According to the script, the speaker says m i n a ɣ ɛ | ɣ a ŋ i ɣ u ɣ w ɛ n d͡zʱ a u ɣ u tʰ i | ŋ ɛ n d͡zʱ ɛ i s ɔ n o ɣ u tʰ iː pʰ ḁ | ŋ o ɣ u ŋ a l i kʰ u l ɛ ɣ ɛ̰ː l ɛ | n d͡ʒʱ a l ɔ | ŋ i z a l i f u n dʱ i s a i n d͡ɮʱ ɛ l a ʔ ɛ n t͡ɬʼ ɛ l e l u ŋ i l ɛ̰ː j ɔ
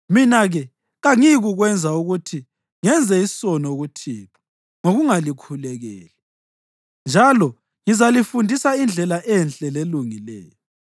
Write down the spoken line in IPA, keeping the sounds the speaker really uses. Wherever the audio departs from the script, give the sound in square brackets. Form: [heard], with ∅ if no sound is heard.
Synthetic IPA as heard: m i n a ɣ ɛ | ɣ a ŋ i ɣ u ɣ w ɛ n d͡zʱ a u ɣ u tʰ i | ŋ ɛ n d͡zʱ ɛ i s ɔ n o ɣ u tʰ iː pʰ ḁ | ŋ o ɣ u ŋ a l i kʰ u l ɛ ɣ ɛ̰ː l ɛ | n d͡ʒʱ a l ɔ | ŋ i z a l i f u n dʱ i s a i n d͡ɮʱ ɛ l a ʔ ɛ n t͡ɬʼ ɛ l e l u ŋ i l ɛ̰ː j ɔ